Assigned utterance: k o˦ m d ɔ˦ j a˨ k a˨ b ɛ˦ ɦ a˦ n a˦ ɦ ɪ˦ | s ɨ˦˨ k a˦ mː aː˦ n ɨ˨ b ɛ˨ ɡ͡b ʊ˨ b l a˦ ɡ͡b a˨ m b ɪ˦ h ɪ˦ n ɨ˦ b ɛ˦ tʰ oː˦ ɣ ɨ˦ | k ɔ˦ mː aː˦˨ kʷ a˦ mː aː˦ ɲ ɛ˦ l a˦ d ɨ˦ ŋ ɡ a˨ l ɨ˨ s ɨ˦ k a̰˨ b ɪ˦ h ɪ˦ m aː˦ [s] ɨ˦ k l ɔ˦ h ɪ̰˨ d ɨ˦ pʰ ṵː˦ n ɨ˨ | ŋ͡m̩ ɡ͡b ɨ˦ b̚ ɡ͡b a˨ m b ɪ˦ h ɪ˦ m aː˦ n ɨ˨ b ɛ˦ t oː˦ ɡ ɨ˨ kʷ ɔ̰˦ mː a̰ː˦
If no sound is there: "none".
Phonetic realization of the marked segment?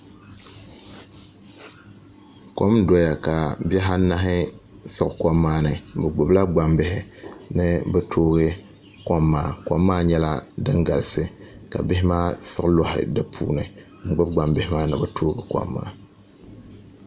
s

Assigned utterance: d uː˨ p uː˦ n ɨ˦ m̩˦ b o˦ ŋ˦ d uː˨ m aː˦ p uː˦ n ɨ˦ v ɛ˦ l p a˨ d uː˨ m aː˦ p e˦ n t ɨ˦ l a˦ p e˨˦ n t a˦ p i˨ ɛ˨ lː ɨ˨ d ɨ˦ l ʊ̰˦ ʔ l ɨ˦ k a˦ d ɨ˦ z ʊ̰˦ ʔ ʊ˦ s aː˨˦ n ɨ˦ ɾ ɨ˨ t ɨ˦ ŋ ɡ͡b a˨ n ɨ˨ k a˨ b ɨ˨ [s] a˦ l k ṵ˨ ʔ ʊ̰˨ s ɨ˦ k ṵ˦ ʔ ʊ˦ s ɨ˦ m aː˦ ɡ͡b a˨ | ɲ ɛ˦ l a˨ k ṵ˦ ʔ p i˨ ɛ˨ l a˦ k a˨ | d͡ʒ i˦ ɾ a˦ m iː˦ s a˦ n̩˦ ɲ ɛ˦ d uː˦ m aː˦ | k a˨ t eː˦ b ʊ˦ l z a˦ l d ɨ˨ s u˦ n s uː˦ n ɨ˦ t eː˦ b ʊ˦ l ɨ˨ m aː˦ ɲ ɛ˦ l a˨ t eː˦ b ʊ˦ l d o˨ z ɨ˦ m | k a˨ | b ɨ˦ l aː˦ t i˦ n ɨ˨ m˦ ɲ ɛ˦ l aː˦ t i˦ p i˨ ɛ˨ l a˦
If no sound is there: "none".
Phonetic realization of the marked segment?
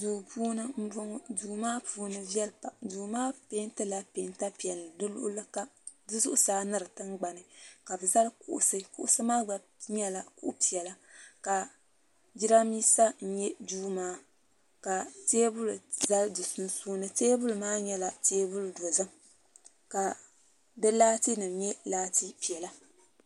z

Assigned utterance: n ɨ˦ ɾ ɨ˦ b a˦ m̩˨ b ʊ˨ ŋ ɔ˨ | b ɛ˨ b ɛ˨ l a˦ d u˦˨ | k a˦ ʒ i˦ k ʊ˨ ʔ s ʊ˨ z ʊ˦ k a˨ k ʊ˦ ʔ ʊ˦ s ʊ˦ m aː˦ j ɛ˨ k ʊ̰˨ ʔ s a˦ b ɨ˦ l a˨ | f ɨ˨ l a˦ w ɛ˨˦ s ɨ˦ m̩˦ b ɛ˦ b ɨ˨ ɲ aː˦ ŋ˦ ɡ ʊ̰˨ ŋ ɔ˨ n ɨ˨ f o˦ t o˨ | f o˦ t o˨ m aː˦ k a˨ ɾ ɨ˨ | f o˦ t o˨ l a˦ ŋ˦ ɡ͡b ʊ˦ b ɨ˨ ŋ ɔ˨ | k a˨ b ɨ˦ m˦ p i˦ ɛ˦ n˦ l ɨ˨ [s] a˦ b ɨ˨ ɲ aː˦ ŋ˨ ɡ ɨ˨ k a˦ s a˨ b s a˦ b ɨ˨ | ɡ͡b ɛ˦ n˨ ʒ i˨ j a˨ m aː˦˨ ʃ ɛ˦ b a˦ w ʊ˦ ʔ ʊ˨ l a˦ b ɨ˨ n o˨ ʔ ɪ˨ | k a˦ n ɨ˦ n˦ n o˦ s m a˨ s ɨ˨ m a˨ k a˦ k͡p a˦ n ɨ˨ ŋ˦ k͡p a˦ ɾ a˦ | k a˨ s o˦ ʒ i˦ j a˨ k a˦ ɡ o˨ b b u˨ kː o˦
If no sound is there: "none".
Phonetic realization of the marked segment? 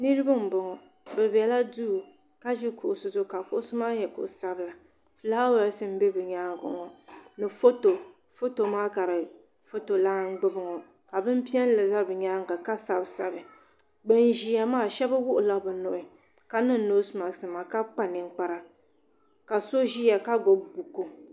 z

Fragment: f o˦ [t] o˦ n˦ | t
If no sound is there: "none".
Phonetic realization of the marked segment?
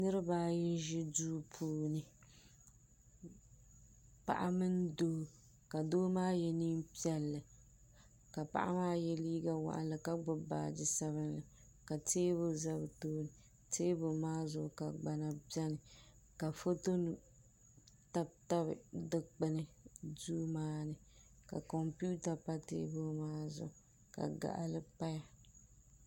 t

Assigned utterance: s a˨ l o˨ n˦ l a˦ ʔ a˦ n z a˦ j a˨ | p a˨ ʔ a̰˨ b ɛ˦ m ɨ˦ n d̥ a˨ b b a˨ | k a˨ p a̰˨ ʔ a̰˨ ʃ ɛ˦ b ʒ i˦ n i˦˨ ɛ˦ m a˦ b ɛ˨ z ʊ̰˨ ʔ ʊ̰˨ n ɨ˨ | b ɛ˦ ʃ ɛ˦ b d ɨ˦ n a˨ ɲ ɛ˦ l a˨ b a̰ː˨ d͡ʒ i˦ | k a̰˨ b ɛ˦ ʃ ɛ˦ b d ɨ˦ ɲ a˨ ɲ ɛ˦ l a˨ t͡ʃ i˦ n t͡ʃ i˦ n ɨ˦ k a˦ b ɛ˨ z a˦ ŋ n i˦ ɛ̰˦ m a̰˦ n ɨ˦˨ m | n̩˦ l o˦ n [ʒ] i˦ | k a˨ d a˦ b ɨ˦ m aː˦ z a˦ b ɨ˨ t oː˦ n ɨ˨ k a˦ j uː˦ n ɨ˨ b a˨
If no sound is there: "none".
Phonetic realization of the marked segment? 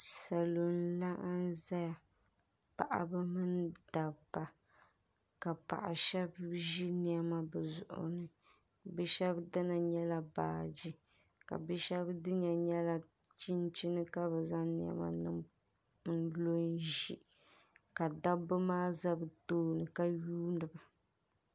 ʒ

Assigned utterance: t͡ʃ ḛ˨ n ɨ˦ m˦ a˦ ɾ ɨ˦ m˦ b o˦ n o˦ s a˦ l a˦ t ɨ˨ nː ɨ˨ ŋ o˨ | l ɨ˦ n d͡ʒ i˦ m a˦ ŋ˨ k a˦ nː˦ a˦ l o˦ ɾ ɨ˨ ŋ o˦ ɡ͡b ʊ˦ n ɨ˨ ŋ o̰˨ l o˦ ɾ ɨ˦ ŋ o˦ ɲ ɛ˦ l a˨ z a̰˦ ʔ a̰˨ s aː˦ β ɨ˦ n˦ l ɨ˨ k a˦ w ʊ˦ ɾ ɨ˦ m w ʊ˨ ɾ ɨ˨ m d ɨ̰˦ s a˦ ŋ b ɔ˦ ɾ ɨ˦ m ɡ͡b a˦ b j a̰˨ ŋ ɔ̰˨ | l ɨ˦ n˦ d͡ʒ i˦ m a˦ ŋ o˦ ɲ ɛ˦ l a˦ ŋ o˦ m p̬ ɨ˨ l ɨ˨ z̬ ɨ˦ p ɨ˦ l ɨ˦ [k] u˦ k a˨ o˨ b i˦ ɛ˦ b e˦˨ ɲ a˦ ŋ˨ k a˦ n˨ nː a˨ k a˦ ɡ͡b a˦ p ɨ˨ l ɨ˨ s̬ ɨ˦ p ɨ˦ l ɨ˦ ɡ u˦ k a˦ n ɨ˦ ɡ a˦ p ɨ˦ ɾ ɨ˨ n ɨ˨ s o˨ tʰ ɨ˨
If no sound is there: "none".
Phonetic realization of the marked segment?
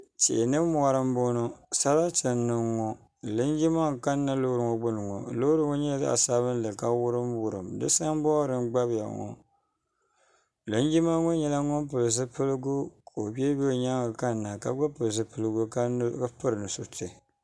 ɡ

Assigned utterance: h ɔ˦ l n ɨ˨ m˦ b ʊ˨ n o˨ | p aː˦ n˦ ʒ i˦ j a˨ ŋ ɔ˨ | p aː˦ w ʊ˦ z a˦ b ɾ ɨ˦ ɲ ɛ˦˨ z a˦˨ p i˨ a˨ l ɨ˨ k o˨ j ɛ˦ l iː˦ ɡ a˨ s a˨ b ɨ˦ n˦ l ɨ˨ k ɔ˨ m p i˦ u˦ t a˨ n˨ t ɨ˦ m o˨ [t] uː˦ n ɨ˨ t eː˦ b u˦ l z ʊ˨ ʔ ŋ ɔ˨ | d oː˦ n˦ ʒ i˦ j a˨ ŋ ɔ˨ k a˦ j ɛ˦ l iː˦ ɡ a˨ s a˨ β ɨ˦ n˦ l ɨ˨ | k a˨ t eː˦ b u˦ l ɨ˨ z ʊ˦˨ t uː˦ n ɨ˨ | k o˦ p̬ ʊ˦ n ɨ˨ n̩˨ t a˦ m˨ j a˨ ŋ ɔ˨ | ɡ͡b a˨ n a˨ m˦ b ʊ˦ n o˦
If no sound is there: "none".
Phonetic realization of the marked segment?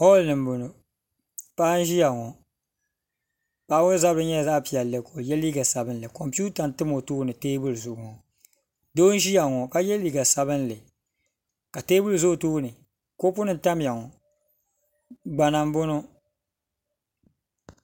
t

